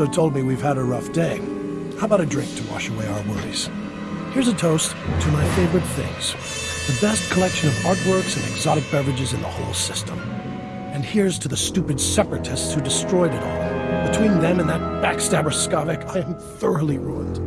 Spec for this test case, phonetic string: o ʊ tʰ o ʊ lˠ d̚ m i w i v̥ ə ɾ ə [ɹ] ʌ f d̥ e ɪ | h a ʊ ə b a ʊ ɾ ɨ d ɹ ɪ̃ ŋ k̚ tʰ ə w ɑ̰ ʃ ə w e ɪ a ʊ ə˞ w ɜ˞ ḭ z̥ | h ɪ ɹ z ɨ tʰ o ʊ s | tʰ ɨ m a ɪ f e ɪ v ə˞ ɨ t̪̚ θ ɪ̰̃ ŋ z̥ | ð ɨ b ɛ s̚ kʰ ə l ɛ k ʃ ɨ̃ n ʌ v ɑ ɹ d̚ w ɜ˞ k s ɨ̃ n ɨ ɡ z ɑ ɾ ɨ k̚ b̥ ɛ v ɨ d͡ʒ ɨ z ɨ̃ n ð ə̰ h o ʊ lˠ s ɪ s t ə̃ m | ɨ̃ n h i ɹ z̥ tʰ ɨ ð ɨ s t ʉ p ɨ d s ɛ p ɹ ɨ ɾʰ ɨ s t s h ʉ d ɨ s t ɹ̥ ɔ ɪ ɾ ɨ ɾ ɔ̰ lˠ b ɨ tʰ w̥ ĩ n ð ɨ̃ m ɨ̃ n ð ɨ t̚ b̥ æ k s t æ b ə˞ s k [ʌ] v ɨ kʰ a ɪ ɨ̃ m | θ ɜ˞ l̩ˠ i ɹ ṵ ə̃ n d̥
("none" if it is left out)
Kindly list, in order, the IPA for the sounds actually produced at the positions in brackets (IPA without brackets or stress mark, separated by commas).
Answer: ɹ, ɑ